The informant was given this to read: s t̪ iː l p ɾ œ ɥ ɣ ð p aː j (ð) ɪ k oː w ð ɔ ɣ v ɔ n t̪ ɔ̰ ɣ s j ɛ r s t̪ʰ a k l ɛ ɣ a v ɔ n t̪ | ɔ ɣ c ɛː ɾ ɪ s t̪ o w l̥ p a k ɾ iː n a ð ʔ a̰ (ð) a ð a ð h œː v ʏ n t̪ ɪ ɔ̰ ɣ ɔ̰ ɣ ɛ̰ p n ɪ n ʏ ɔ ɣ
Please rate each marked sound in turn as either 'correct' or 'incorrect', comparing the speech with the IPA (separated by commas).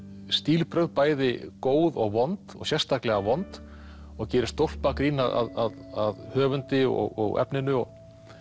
correct, correct